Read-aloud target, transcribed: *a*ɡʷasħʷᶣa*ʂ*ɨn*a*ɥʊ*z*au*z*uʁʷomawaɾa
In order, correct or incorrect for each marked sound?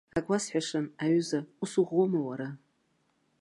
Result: correct, correct, correct, correct, incorrect: s

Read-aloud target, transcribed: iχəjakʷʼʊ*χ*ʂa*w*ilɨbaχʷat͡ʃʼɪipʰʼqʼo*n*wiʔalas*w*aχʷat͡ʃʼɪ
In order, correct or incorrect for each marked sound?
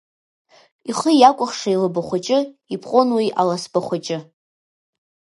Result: correct, incorrect: none, correct, incorrect: b

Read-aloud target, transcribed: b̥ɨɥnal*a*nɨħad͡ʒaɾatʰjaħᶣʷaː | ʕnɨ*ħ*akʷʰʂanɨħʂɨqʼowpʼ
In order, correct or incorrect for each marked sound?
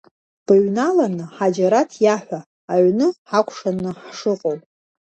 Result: correct, correct

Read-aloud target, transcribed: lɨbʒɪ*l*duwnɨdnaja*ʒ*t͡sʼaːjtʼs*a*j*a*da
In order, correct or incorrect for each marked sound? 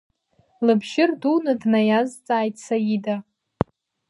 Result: incorrect: r, incorrect: z, correct, incorrect: i

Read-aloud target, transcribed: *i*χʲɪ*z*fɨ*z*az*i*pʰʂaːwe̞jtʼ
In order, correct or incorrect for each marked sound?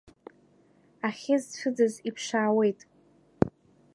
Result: incorrect: a, correct, incorrect: d͡z, correct

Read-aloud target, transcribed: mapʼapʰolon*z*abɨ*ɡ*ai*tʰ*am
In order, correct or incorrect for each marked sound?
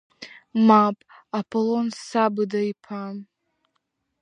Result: incorrect: s, incorrect: d, incorrect: pʰ

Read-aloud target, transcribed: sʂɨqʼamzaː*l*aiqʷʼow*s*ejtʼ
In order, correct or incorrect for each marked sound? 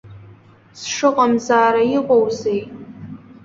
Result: incorrect: ɾ, incorrect: z

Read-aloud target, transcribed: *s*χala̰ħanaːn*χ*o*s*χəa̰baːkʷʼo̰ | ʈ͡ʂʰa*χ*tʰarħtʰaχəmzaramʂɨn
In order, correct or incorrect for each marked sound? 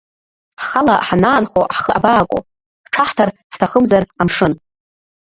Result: incorrect: ħ, correct, incorrect: ħ, incorrect: ħ

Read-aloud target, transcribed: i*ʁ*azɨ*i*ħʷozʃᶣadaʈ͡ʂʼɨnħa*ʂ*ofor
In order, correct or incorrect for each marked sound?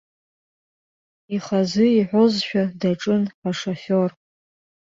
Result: incorrect: χ, correct, correct

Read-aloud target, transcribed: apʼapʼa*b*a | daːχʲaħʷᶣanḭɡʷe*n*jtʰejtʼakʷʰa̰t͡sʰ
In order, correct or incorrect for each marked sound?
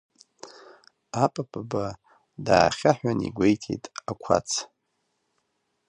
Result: correct, incorrect: none

